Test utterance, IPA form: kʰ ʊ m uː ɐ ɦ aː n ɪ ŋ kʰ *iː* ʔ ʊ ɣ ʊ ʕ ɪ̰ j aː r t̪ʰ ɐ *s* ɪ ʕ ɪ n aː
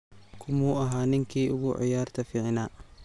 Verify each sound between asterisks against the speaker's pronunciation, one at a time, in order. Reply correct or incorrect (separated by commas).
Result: correct, incorrect